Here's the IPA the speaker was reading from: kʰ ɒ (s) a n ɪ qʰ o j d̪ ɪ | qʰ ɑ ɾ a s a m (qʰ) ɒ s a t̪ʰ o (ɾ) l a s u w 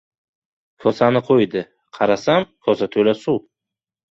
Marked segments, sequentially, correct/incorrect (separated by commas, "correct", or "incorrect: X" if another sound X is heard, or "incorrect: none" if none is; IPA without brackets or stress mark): correct, incorrect: kʰ, incorrect: none